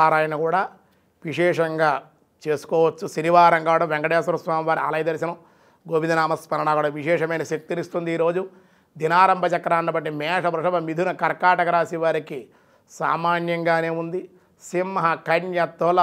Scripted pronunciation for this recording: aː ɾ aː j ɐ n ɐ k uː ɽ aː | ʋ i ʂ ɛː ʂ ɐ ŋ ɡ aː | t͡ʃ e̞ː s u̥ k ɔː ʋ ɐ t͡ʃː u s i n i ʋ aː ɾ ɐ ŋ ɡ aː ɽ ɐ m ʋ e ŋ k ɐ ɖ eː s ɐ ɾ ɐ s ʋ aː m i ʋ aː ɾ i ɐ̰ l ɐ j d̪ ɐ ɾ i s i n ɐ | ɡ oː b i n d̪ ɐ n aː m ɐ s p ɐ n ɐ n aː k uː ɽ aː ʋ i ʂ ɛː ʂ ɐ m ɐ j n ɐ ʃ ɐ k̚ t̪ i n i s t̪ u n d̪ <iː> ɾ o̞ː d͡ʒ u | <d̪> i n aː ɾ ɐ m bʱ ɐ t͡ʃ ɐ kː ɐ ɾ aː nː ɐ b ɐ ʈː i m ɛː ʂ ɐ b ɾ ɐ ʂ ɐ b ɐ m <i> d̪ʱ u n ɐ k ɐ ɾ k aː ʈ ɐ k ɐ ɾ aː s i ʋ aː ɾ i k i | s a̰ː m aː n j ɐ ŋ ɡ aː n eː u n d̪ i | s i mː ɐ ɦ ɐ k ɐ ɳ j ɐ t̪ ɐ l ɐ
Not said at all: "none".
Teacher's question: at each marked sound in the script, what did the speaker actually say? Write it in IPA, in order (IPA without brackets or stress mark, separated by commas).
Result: iː, d̪, i